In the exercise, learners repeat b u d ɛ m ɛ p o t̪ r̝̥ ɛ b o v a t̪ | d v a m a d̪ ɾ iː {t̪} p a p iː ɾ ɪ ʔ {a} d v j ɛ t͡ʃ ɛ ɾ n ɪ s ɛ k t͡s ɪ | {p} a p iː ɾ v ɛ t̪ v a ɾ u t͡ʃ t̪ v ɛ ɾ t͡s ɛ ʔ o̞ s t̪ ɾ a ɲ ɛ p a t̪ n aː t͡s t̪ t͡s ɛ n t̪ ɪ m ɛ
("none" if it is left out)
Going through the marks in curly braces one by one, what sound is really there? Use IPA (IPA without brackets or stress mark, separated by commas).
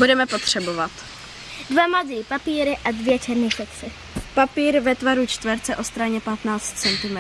none, a, p